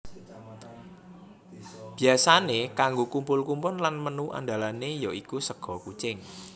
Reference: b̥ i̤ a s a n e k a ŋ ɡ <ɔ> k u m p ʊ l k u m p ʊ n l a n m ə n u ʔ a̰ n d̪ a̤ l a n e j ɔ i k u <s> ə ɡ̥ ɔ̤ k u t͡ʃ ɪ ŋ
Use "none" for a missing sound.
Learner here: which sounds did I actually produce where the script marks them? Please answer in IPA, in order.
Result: o, s

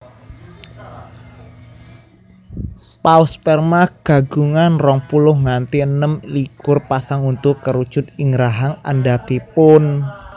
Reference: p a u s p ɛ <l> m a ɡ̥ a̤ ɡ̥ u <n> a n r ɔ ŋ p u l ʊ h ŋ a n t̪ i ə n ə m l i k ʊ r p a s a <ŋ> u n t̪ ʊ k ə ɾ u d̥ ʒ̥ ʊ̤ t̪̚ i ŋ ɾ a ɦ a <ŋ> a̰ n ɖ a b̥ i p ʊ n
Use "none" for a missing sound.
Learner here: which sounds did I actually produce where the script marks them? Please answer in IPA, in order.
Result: r, ŋ, ŋ, ŋ

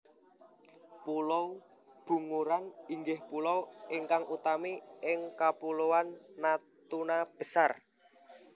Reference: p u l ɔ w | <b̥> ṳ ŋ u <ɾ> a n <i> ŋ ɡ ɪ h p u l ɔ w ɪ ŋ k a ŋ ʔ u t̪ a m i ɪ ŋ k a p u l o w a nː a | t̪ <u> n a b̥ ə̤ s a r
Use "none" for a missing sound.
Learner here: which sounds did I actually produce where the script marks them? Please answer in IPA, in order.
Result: b̥, ɾ, i, u

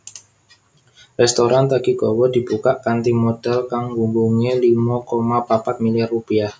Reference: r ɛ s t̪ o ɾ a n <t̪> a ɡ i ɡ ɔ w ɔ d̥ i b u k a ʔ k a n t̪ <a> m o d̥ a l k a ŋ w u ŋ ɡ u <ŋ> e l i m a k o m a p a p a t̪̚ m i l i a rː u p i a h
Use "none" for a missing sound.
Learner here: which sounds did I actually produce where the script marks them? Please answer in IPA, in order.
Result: t̪, i, ŋ

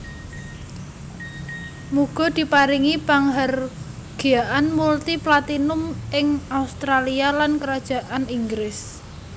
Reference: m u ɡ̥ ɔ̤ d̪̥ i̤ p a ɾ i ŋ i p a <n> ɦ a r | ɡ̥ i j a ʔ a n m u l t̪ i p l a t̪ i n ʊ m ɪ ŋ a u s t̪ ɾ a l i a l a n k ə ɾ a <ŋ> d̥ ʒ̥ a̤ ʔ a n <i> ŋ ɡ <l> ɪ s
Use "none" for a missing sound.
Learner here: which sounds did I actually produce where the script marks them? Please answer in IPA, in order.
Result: ŋ, none, i, ɾ

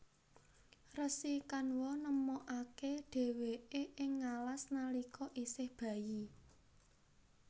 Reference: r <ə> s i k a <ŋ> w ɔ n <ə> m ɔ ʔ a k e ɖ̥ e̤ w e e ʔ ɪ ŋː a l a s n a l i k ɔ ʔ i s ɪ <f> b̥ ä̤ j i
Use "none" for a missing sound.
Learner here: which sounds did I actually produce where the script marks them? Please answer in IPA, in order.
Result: ə, n, ə, h

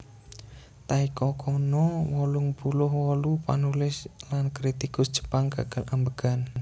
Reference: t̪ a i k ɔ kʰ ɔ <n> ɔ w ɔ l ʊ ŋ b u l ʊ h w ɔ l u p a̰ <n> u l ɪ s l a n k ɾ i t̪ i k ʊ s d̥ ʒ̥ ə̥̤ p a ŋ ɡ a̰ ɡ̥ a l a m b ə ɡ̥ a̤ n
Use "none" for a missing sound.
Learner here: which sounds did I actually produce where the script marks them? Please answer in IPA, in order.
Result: n, n

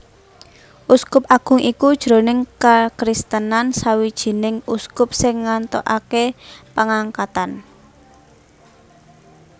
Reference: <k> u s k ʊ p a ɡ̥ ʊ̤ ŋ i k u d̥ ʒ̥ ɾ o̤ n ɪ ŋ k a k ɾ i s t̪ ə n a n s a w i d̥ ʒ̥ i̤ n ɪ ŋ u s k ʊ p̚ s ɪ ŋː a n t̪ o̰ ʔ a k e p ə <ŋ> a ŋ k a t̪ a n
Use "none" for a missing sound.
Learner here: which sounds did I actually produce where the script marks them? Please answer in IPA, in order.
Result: ʔ, ŋ

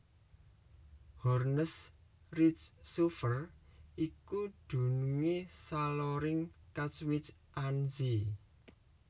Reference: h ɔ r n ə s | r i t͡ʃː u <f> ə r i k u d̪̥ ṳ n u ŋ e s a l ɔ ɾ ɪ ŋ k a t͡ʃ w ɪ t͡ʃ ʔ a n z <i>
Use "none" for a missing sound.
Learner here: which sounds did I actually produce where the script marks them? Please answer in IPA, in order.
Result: f, i

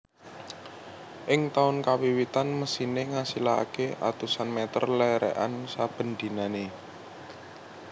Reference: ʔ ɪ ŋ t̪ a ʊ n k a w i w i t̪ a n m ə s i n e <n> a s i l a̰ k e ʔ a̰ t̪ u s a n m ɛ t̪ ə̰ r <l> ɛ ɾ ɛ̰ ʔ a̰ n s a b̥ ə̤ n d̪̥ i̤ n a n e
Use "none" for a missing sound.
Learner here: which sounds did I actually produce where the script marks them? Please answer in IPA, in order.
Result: ŋ, l

